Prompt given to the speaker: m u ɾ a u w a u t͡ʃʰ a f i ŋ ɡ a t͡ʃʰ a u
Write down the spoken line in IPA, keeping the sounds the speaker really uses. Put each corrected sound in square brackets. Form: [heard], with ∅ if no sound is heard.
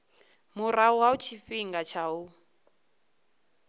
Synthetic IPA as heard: m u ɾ a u w a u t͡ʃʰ [i] f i ŋ ɡ a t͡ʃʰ a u

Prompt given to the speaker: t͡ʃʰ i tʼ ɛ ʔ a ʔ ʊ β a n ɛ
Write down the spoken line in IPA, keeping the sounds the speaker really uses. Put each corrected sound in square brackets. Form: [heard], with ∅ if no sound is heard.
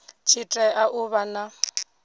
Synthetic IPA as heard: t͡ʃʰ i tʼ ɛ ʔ a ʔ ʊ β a n [a]

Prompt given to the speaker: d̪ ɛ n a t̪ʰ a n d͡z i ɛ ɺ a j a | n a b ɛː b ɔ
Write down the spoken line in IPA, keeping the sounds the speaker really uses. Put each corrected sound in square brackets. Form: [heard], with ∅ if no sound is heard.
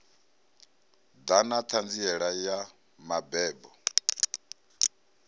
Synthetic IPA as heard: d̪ [a] n a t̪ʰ a n d͡z i ɛ ɺ a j a | [m] a b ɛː b ɔ

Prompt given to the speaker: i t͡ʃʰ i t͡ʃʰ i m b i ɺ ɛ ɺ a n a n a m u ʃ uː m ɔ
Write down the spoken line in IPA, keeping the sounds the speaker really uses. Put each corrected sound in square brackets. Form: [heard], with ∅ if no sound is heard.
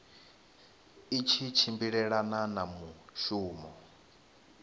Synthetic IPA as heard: i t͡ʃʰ i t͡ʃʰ i m b i ɺ ɛ ɺ a n a n a m u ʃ uː m ɔ

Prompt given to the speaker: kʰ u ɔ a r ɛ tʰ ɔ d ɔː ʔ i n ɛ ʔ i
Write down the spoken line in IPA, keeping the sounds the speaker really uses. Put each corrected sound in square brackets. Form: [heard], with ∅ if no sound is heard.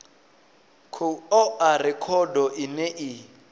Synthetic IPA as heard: kʰ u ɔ a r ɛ [kʰ] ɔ d [ɔ] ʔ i n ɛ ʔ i

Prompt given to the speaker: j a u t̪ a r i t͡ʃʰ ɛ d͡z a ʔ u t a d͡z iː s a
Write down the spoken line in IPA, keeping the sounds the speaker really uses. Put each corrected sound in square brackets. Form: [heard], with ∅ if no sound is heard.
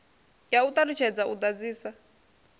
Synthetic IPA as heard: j a u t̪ a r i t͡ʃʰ ɛ d͡z a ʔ u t a d͡z iː s a

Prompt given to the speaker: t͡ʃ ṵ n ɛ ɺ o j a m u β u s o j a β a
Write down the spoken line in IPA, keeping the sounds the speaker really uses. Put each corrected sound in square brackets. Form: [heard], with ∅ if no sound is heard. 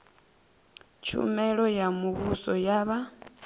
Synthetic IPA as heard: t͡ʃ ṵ [m] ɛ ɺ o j a m u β u s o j a β a

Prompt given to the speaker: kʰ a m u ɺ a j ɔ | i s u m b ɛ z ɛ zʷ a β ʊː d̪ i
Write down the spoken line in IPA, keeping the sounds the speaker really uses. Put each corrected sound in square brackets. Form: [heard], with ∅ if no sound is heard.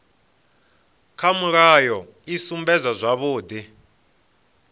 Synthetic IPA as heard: kʰ a m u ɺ a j ɔ | i s u m b ɛ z [a] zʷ a β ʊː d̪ i

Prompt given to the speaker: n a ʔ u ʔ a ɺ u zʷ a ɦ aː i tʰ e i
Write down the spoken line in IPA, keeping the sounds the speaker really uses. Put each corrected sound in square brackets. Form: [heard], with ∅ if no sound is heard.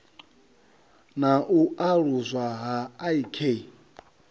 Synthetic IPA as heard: n a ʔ u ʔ a ɺ u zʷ a ɦ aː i [kʰ] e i

